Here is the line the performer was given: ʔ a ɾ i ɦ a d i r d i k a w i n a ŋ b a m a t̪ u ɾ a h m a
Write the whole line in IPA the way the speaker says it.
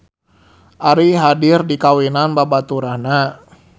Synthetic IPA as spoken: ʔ a ɾ i ɦ a d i r d i k a w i n a n b a b a t̪ u ɾ a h n a